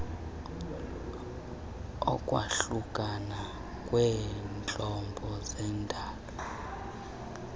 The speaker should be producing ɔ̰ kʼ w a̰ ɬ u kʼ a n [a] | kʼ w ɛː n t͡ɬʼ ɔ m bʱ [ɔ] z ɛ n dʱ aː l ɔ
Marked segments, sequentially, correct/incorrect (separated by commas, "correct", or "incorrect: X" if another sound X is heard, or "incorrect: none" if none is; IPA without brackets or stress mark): correct, correct